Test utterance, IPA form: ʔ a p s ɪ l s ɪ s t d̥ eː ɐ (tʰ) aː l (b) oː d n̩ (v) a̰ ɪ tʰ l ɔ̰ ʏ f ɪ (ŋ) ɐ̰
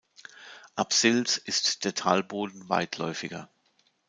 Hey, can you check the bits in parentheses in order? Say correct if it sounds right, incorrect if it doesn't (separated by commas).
correct, correct, correct, incorrect